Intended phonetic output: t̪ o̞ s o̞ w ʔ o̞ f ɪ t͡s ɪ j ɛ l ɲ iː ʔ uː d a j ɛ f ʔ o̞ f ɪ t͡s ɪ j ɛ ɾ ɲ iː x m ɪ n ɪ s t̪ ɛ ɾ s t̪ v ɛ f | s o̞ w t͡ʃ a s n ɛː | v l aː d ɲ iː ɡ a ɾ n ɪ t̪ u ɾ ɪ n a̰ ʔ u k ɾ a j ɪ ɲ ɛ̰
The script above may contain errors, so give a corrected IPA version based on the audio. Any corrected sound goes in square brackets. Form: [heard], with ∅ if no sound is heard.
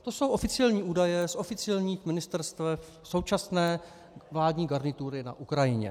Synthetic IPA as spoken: t̪ o̞ s o̞ w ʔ o̞ f ɪ t͡s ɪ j ɛ l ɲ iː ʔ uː d a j ɛ [s] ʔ o̞ f ɪ t͡s ɪ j ɛ [l] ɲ iː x m ɪ n ɪ s t̪ ɛ ɾ s t̪ v ɛ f | s o̞ w t͡ʃ a s n ɛː | v l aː d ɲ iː ɡ a ɾ n ɪ t̪ u ɾ ɪ n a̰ ʔ u k ɾ a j ɪ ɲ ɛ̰